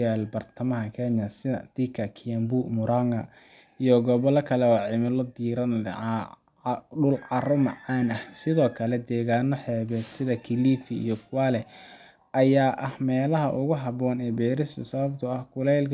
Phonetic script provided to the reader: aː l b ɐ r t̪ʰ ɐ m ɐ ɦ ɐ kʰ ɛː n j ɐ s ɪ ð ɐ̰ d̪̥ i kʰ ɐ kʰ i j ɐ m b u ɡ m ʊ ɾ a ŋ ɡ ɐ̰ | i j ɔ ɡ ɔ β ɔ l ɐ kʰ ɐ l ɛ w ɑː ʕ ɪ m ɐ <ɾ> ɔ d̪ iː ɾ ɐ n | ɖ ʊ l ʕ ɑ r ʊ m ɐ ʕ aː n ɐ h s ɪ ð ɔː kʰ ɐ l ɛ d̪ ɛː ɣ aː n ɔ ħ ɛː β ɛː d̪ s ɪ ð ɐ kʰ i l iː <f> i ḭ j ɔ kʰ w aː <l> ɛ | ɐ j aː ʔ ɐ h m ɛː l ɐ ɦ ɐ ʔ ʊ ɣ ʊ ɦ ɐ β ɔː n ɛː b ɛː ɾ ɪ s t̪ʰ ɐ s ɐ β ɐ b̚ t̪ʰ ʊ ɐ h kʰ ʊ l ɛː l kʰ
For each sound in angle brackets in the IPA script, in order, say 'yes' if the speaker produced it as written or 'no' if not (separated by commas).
no, yes, yes